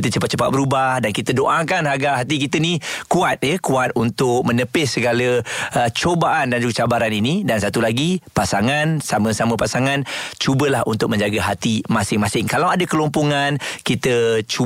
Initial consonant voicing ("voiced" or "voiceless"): voiceless